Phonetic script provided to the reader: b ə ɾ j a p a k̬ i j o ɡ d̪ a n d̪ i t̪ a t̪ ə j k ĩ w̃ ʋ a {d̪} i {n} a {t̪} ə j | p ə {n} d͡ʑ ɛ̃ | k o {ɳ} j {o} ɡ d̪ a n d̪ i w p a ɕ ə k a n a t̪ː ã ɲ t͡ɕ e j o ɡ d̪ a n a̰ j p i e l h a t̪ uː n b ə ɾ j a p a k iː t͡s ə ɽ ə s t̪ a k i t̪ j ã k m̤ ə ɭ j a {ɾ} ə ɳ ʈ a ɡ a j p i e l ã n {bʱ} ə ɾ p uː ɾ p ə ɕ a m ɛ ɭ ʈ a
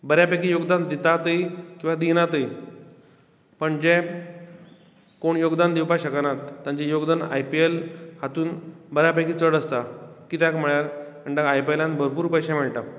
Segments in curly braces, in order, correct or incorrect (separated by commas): correct, correct, correct, incorrect, correct, correct, correct, correct